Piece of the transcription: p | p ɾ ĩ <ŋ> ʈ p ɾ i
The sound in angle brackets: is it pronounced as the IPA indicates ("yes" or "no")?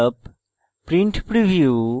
no